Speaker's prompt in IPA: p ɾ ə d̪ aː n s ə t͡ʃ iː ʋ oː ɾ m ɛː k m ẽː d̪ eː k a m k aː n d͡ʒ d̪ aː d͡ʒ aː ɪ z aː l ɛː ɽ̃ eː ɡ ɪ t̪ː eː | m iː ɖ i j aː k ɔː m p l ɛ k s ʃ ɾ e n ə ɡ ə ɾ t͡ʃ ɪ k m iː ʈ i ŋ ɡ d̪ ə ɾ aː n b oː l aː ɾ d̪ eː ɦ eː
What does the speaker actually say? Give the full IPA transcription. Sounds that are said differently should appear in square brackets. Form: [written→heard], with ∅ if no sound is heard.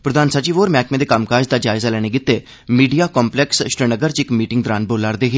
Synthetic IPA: p ɾ ə d̪ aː n s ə t͡ʃ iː ʋ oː ɾ m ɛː k m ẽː d̪ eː k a m k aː [n→∅] d͡ʒ d̪ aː d͡ʒ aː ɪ z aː l ɛː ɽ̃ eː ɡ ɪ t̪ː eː | m iː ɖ i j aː k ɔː m p l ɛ k s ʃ ɾ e n ə ɡ ə ɾ t͡ʃ ɪ k m iː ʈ [i→ɪ] ŋ ɡ d̪ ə ɾ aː n b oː l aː ɾ d̪ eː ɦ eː